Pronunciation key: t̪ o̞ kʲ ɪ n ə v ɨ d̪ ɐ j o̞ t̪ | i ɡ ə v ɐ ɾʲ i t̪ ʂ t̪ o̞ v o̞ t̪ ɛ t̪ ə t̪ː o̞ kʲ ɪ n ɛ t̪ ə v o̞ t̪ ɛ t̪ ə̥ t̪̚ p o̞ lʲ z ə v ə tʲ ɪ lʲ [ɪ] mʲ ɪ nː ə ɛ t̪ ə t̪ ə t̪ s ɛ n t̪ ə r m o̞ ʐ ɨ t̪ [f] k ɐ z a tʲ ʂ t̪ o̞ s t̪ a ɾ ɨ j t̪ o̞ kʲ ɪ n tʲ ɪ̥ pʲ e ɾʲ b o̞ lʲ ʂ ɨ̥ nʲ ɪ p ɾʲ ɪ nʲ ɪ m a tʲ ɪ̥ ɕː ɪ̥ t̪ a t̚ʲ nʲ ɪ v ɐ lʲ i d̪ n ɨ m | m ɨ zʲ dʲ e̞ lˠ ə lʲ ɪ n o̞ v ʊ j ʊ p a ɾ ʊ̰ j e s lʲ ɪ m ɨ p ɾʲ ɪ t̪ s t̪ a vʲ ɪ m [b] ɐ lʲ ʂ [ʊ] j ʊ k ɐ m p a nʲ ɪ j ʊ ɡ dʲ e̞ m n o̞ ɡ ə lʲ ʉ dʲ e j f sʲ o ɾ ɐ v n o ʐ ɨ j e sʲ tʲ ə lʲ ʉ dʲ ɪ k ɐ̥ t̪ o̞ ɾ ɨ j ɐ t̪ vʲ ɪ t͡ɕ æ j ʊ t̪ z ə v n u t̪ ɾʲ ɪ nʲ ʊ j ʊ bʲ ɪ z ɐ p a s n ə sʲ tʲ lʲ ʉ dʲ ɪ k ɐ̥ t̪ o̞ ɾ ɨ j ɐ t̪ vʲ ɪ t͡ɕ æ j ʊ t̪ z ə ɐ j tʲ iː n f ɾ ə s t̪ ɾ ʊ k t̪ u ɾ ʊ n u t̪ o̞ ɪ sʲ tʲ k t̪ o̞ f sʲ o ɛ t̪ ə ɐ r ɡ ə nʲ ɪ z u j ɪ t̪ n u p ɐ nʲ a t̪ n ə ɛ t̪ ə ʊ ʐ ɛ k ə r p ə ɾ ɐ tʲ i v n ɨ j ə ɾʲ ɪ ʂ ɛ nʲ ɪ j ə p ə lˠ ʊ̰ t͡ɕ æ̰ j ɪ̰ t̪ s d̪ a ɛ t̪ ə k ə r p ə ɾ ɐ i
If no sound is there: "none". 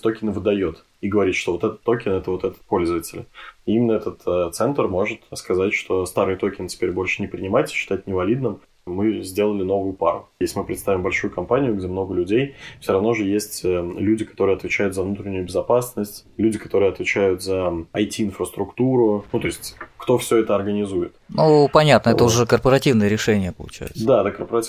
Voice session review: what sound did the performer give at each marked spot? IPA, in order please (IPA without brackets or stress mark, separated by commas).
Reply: i, s, b, u